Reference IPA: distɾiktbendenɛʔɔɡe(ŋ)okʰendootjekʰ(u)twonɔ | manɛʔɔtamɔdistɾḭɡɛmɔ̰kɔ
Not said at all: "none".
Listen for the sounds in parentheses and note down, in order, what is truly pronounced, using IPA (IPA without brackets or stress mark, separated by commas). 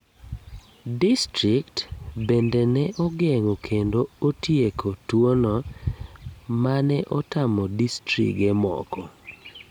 ŋ, o